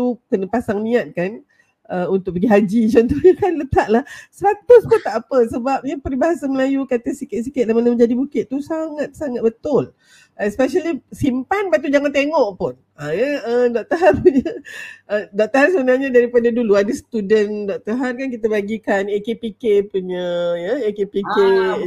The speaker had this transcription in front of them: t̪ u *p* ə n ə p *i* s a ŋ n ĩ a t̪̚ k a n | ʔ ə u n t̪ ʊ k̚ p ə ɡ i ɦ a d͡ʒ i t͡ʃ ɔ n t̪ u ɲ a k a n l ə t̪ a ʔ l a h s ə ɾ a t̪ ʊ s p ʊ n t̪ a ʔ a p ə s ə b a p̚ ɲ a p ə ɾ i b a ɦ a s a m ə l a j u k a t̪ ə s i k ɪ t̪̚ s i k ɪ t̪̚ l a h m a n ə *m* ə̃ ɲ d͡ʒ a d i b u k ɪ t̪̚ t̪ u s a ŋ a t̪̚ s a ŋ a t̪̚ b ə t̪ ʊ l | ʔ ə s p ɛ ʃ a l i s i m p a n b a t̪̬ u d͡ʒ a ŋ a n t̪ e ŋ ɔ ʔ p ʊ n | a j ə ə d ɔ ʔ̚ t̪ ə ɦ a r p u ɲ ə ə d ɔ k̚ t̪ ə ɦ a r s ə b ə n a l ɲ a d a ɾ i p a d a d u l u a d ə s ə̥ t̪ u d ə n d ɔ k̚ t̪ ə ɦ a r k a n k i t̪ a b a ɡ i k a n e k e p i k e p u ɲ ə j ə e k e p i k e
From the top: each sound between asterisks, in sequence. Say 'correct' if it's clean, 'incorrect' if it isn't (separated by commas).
incorrect, incorrect, correct